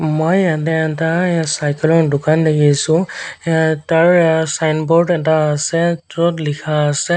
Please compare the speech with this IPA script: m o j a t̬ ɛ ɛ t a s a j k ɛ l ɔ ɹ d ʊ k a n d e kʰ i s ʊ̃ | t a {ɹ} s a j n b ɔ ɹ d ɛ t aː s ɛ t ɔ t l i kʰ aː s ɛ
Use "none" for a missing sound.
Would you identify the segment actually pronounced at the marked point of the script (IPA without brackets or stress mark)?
ɹ